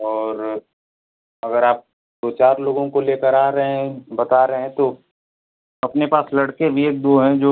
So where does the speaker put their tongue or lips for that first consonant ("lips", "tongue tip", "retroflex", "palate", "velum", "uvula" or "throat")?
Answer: tongue tip